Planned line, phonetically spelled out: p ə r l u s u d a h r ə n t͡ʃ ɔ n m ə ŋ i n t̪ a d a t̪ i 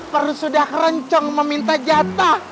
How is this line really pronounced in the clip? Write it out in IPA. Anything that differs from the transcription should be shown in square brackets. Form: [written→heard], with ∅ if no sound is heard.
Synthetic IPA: p ə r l u s u d a h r ə [n→ɲ] t͡ʃ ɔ [n→ŋ] m ə [ŋ→m] i n t̪ a [d→d͡ʒ] a t̪ [i→a]